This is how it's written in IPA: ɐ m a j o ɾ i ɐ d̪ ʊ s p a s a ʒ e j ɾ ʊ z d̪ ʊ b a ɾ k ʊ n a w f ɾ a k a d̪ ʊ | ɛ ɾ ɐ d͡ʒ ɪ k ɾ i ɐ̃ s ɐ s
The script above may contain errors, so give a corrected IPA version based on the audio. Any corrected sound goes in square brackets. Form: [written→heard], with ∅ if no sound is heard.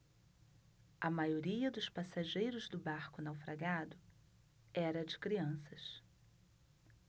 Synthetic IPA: ɐ m a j o ɾ i ɐ d̪ ʊ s p a s a ʒ e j ɾ ʊ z d̪ ʊ b a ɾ k ʊ n a w f ɾ a [k→ɡ] a d̪ ʊ | ɛ ɾ ɐ d͡ʒ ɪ k ɾ i ɐ̃ s ɐ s